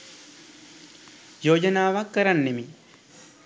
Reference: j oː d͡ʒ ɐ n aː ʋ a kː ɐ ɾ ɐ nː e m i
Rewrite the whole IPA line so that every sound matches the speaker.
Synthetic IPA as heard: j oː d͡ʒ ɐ n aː ʋ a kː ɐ ɾ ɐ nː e m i